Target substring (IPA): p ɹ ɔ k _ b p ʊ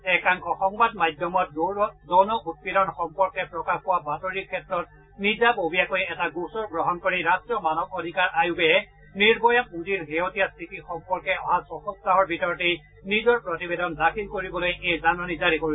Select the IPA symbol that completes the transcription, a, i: a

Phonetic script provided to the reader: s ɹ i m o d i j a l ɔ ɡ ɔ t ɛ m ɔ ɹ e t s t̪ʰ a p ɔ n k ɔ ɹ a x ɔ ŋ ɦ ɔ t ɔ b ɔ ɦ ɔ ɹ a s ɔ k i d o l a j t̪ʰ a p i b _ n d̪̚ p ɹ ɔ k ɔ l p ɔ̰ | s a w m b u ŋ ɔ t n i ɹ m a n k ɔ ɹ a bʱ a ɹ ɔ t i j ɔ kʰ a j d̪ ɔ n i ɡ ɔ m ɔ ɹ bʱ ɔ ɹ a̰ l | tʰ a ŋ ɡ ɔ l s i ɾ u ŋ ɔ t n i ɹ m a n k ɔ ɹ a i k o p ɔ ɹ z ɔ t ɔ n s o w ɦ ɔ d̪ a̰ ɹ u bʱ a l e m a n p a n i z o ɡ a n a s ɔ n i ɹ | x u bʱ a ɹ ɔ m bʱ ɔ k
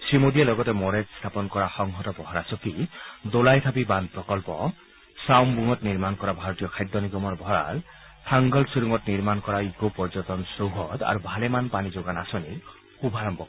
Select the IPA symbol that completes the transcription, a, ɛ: a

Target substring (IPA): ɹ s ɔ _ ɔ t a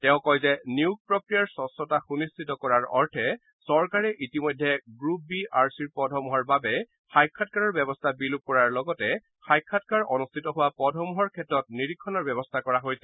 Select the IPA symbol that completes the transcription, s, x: s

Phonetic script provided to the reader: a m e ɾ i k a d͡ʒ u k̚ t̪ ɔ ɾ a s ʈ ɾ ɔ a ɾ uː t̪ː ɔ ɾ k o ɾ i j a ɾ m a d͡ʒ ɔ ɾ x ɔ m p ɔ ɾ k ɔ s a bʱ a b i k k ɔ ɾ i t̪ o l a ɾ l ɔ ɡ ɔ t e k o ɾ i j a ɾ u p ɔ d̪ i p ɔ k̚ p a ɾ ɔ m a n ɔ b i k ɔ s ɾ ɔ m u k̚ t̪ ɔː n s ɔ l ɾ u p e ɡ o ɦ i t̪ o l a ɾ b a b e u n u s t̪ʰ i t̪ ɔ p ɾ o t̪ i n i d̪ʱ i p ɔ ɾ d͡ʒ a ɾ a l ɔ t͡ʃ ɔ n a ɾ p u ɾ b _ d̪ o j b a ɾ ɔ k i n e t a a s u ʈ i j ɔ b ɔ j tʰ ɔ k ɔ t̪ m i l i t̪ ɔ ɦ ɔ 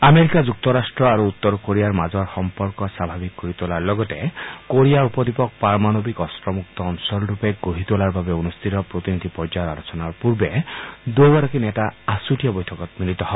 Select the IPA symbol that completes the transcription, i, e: e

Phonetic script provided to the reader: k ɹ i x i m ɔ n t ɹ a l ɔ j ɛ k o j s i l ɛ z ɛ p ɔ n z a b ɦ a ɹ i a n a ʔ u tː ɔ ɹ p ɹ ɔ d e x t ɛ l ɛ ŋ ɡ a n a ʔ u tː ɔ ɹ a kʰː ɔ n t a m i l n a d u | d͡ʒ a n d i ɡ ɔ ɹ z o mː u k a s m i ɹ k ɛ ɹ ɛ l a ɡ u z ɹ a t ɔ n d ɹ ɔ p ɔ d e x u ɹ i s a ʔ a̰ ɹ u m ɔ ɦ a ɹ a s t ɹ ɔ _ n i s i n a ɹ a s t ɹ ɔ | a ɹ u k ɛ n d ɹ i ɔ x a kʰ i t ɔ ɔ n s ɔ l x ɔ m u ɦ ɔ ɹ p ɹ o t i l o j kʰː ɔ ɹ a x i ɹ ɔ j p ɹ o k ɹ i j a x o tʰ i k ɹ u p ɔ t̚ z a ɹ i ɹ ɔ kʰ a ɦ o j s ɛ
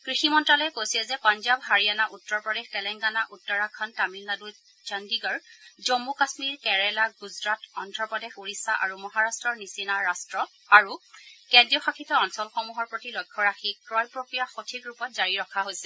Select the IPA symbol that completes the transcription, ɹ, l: ɹ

